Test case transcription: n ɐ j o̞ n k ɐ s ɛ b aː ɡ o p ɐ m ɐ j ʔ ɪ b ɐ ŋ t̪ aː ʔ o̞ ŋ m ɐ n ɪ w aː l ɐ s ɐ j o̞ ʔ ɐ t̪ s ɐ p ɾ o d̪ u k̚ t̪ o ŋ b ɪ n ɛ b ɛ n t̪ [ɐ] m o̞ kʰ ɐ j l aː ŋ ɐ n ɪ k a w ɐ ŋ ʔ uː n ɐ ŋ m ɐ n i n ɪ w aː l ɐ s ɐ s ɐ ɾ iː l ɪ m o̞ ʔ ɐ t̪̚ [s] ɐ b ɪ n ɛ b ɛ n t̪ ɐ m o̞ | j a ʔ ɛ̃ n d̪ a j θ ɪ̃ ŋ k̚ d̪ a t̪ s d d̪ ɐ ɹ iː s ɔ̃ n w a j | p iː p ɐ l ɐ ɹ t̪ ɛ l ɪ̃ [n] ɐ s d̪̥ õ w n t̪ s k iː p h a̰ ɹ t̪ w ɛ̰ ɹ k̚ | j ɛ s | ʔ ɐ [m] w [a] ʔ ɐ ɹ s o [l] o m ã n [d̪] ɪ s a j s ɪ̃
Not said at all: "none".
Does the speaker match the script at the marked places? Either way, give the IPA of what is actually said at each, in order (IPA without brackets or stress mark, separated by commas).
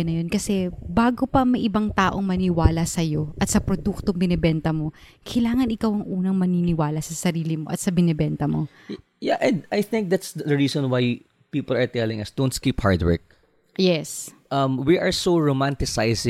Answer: ɐ, s, ŋ, m, i, ɹ, t̪